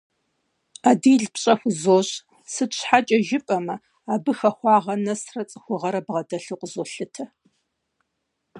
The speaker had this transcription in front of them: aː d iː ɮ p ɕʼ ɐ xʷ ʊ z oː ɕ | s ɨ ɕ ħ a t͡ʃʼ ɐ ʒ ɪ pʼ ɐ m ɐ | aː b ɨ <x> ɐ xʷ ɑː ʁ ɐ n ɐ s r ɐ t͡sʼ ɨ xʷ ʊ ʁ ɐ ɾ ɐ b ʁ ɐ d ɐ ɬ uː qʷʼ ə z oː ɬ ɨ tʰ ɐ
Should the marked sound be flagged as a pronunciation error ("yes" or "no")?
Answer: no